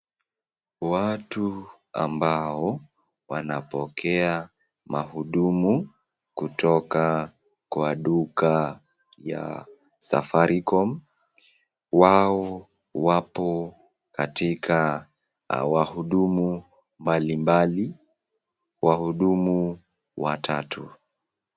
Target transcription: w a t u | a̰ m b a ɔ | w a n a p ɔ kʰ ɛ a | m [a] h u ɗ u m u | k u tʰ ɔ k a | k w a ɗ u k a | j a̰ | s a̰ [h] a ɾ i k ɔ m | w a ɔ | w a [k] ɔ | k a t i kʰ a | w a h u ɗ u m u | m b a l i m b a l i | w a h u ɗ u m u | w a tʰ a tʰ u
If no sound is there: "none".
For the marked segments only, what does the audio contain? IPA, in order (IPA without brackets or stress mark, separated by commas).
a, f, p